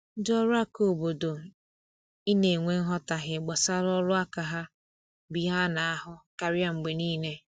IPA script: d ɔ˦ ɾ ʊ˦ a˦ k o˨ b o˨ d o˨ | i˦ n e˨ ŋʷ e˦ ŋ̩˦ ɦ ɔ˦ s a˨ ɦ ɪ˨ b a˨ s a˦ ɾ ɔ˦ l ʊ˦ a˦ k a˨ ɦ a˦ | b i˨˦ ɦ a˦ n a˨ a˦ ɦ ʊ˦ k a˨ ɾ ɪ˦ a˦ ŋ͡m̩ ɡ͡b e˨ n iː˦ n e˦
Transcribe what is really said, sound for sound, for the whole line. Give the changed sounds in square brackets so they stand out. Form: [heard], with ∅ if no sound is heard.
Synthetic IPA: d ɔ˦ ɾ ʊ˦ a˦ k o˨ b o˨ d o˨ | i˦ n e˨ ŋʷ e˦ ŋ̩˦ ɦ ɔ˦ [t] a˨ ɦ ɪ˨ [ɡ͡b] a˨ s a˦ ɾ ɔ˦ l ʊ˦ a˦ k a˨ ɦ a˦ | b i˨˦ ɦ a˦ n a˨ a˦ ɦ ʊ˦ k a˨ ɾ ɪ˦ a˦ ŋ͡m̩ ɡ͡b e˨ n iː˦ n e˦